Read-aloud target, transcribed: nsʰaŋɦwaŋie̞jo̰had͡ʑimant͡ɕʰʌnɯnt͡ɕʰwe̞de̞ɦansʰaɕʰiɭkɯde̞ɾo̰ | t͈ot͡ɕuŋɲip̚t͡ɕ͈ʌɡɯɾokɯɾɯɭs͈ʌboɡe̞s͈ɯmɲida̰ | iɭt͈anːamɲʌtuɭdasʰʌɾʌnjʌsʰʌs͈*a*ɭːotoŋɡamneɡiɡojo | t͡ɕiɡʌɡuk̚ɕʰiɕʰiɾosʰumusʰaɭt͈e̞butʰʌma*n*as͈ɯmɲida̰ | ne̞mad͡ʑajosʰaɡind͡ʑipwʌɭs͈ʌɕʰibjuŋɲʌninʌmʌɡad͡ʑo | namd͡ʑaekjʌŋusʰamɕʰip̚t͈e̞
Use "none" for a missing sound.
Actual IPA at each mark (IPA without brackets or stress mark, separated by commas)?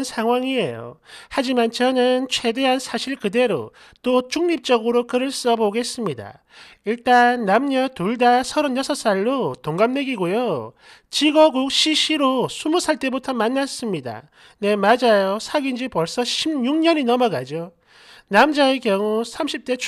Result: a, nː